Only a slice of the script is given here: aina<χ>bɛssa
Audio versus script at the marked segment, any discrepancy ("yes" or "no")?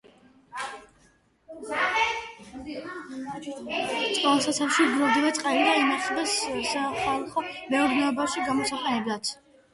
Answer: no